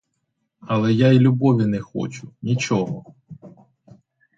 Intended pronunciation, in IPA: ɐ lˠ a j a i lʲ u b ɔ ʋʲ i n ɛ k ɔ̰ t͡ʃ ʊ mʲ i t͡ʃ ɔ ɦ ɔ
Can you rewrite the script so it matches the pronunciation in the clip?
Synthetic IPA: ɐ lˠ ɛ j a i lʲ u b ɔ ʋʲ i n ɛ x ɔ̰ t͡ʃ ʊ nʲ i t͡ʃ ɔ ɦ ɔ